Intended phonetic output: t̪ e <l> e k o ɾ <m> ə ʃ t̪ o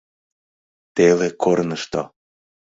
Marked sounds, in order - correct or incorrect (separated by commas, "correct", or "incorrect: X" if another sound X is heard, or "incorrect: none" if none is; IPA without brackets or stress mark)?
correct, incorrect: n